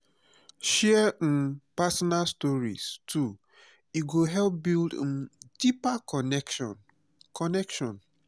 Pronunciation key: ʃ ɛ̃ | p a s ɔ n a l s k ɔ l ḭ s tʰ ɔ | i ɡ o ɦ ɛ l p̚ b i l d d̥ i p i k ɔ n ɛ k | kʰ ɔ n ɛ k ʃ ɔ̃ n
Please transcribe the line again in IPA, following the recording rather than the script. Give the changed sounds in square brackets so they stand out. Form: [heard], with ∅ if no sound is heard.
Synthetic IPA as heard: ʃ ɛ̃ | p a s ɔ n a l s [t] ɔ [ɹ] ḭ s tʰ [u] | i ɡ o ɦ ɛ l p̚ b i l d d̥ i p [a] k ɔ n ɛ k | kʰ ɔ n ɛ k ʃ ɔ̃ n